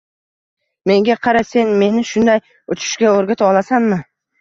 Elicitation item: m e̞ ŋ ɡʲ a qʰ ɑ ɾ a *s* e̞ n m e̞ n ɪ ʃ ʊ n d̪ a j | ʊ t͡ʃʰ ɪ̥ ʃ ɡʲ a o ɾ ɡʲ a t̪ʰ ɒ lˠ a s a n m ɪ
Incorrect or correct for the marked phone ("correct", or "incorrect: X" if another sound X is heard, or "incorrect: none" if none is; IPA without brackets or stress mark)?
correct